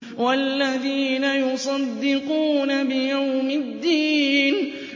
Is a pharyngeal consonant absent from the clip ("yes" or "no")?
yes